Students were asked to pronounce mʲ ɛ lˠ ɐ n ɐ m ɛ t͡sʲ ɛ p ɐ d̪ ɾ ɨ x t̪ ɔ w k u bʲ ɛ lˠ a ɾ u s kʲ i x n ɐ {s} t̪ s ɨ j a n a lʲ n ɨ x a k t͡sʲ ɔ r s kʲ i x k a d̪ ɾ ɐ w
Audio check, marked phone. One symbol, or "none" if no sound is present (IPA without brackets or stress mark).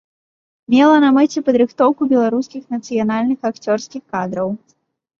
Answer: none